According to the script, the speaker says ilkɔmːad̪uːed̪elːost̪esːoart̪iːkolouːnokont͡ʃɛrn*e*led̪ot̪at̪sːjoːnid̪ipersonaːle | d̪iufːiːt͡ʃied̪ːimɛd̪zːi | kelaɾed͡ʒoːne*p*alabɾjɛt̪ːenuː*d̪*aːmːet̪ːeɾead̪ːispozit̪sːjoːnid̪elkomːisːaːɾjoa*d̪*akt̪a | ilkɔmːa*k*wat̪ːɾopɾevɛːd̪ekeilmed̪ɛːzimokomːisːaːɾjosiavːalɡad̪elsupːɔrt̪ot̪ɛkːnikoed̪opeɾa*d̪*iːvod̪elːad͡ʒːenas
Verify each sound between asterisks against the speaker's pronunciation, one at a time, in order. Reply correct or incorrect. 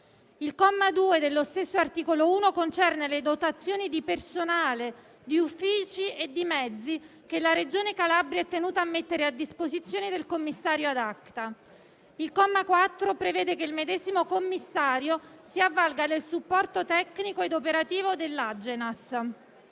correct, incorrect, incorrect, correct, correct, incorrect

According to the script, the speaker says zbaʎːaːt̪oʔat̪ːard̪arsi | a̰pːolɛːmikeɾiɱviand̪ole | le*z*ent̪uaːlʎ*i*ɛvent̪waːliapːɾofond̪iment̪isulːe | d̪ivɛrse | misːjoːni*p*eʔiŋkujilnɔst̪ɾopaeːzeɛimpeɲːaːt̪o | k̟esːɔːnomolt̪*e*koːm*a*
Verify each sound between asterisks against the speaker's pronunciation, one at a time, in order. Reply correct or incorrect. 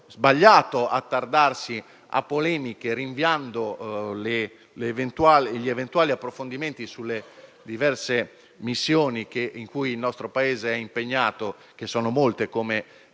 incorrect, correct, incorrect, correct, incorrect

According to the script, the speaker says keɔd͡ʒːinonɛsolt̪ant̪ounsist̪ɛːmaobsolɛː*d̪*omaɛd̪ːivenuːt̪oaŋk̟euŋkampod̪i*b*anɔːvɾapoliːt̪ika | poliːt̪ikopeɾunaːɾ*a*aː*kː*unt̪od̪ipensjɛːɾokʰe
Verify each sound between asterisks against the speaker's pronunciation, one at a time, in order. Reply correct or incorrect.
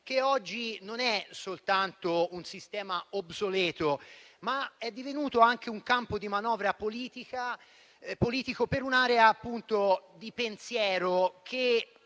incorrect, incorrect, incorrect, incorrect

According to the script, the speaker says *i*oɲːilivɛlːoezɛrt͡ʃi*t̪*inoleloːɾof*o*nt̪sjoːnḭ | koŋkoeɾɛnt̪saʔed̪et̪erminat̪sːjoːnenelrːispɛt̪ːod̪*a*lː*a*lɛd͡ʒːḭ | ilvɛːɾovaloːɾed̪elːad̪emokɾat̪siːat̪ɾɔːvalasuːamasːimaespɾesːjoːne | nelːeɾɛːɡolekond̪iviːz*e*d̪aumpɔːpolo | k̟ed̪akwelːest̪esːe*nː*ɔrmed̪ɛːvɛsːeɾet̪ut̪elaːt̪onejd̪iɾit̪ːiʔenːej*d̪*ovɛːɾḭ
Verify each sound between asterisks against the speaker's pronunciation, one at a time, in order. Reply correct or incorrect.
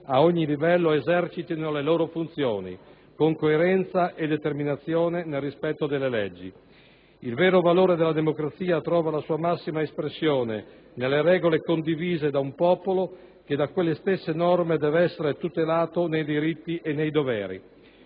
incorrect, correct, incorrect, incorrect, incorrect, correct, incorrect, correct

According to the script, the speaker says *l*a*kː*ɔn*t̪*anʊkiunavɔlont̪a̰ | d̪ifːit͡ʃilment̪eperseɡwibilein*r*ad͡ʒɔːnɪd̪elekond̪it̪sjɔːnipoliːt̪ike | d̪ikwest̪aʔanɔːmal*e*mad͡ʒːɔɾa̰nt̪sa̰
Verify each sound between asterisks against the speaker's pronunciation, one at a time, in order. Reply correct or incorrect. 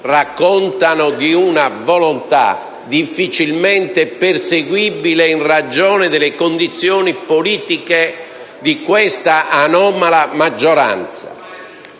incorrect, correct, correct, correct, incorrect

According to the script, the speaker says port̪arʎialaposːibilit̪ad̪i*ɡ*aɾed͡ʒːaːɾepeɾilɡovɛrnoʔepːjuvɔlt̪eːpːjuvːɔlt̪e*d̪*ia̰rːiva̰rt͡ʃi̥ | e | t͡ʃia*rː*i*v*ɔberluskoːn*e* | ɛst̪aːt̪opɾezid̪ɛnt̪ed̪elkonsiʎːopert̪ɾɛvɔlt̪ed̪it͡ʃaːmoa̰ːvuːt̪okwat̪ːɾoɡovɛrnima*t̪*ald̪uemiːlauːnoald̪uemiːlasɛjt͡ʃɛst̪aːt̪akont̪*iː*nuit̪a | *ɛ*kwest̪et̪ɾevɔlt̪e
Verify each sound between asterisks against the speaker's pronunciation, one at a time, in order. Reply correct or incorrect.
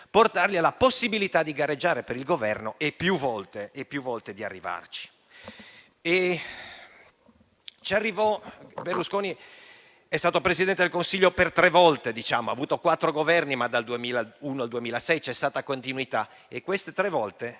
correct, correct, correct, correct, incorrect, incorrect, incorrect, incorrect

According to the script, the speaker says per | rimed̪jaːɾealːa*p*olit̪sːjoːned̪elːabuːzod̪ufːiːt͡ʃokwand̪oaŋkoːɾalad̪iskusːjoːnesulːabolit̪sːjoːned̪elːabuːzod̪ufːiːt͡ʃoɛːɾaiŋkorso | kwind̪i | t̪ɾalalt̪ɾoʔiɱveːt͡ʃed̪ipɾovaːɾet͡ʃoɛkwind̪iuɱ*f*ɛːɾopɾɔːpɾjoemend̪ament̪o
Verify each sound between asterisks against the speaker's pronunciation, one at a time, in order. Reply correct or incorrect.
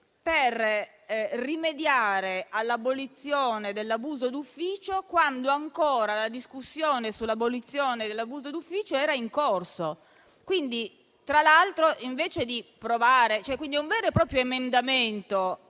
incorrect, incorrect

